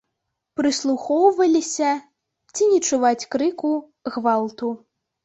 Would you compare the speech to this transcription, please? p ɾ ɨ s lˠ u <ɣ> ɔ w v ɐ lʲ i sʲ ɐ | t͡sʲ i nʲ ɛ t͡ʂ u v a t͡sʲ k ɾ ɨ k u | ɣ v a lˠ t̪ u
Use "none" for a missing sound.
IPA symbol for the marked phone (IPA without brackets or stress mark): x